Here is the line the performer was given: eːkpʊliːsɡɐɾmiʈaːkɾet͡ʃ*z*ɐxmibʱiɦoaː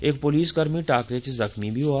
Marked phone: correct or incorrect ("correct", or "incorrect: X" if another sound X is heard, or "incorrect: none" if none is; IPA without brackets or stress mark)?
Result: correct